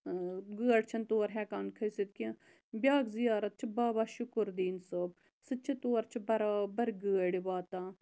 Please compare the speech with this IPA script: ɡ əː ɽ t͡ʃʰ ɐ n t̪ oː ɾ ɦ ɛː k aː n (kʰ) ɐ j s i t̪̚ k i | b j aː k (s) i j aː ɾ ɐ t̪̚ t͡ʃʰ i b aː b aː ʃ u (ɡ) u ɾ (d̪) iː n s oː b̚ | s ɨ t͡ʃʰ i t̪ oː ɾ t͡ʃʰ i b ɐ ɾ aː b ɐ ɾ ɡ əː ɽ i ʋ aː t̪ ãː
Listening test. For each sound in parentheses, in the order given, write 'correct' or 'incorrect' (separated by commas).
correct, incorrect, incorrect, correct